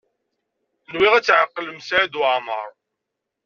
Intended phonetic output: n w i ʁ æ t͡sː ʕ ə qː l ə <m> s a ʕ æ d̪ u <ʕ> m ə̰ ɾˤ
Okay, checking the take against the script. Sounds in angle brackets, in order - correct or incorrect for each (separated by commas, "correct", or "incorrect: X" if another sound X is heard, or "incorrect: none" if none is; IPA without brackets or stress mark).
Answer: correct, correct